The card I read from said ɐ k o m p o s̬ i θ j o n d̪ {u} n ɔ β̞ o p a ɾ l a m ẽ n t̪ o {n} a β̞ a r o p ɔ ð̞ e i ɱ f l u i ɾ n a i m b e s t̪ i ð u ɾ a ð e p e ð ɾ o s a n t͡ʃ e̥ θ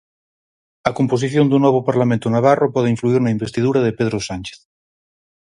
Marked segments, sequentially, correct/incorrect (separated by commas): correct, correct